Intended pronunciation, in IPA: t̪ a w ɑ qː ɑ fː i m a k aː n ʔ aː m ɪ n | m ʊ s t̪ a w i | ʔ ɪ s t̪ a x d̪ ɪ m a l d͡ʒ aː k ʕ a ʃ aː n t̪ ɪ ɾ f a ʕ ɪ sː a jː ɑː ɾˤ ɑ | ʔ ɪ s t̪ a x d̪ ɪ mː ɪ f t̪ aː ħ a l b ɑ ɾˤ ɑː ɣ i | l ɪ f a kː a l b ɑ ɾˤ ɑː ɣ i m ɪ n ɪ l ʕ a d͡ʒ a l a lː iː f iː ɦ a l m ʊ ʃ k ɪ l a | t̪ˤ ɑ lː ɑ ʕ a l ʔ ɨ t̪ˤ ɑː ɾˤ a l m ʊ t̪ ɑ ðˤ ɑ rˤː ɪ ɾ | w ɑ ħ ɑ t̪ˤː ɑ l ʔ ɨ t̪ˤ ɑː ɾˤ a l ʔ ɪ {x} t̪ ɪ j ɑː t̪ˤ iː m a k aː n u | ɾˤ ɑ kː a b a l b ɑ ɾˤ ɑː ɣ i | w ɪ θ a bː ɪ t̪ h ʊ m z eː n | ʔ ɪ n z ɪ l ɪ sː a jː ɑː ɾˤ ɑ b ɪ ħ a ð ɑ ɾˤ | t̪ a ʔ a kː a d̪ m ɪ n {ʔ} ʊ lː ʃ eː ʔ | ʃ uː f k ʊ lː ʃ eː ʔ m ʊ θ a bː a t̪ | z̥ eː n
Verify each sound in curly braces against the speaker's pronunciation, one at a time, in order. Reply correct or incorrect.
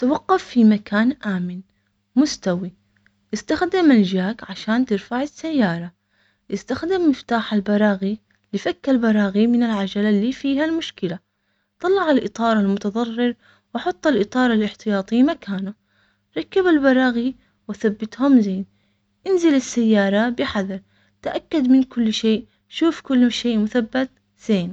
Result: incorrect: ħ, incorrect: k

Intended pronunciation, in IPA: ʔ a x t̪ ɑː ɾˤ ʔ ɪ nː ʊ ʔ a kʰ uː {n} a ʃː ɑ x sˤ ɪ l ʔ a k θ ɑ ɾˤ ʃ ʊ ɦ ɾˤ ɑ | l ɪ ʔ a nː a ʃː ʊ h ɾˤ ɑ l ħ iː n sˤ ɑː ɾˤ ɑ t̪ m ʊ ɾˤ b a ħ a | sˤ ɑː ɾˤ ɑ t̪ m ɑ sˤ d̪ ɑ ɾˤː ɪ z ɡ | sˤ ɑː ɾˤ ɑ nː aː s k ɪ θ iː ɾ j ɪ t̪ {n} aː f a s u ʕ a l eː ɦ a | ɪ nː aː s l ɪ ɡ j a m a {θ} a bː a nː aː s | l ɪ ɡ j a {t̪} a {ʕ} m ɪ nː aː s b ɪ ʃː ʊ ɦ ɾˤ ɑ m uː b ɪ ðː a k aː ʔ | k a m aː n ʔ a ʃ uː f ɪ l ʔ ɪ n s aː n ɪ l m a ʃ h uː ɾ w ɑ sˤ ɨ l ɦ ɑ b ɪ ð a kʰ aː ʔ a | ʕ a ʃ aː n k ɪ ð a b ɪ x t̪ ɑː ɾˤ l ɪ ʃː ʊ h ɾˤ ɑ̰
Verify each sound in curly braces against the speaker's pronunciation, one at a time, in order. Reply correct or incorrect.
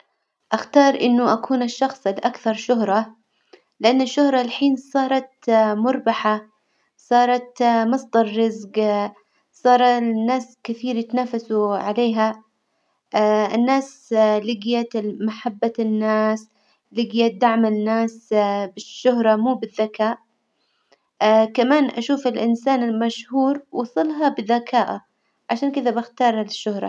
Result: correct, correct, incorrect: ħ, incorrect: d̪, correct

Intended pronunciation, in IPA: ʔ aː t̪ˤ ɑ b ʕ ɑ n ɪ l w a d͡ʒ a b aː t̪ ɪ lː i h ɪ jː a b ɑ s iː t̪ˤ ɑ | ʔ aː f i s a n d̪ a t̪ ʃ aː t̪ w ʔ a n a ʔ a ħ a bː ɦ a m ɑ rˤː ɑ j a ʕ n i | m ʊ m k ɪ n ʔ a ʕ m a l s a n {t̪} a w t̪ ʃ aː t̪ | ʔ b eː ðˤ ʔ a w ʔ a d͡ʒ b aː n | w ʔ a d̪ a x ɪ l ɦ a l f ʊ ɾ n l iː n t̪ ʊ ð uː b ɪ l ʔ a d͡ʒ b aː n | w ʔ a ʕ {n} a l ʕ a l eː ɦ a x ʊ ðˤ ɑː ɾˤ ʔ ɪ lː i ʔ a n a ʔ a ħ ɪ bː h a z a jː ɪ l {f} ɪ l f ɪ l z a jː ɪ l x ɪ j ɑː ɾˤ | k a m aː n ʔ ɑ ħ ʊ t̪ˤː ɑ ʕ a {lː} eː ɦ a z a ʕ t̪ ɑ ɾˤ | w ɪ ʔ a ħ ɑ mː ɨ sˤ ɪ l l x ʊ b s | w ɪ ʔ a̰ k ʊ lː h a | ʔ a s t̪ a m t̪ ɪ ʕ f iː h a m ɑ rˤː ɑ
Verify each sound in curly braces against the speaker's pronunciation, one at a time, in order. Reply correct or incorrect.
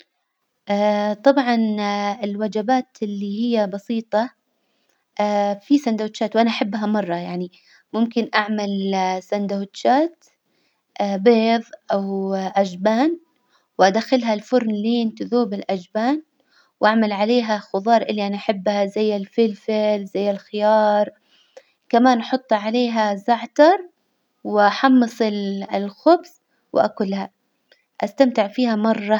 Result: incorrect: d̪, incorrect: m, correct, incorrect: l

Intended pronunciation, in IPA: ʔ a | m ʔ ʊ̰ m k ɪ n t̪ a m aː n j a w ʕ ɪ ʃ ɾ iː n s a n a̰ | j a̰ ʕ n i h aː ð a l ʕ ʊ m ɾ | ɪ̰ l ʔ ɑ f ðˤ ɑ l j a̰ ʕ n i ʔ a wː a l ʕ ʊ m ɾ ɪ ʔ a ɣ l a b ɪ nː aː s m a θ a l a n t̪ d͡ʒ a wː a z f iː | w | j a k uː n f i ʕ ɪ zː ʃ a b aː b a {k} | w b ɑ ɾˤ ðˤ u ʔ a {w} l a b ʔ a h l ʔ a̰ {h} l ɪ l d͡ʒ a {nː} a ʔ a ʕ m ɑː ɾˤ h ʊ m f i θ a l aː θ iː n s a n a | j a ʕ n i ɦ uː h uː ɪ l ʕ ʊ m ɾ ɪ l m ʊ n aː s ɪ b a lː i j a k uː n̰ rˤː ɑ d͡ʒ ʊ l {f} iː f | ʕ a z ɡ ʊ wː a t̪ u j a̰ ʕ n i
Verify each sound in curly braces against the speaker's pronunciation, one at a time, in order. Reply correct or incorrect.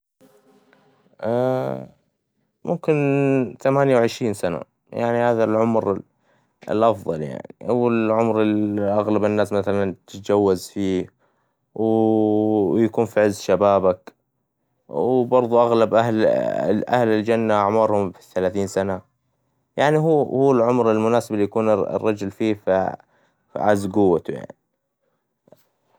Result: correct, incorrect: ɣ, correct, correct, correct

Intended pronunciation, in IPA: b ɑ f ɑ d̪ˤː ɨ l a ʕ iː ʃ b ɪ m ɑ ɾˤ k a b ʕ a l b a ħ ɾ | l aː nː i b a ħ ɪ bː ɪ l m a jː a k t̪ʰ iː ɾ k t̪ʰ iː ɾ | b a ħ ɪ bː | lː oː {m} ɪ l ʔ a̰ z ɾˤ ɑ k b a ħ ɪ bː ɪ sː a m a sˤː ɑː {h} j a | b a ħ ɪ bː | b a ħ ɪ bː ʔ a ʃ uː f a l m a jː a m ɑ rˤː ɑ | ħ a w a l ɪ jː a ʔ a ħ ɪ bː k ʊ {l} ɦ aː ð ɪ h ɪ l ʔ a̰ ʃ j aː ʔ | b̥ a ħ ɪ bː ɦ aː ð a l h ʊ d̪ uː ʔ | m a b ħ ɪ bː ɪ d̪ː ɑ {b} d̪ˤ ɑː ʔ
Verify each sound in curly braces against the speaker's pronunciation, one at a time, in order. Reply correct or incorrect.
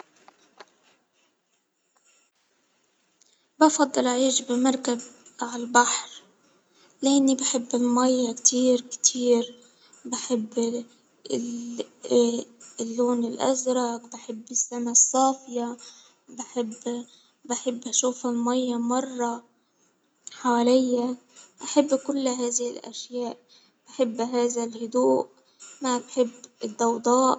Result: incorrect: n, incorrect: f, incorrect: lː, incorrect: w

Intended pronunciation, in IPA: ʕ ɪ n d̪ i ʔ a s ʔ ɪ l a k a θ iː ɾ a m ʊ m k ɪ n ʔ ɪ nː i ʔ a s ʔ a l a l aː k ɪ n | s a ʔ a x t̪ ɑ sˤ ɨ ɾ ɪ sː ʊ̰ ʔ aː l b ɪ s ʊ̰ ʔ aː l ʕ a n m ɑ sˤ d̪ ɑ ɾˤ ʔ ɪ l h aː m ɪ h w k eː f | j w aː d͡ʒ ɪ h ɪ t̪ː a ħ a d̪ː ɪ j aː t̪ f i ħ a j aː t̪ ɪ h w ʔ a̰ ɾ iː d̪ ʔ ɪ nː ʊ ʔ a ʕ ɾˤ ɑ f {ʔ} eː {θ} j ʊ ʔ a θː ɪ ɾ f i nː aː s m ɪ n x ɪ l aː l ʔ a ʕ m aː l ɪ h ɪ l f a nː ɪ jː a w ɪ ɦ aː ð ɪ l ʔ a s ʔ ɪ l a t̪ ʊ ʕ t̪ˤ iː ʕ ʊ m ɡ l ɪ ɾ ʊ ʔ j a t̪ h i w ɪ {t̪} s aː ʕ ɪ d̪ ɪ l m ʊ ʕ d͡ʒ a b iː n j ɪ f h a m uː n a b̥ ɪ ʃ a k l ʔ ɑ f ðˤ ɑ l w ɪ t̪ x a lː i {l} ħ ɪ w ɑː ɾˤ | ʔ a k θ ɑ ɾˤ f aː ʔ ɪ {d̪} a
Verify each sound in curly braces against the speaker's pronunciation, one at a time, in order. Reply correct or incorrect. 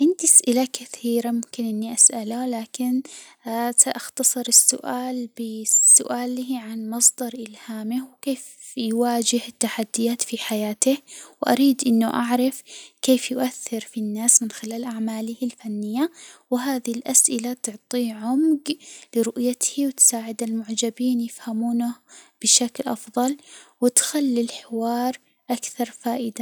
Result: incorrect: k, incorrect: f, correct, correct, correct

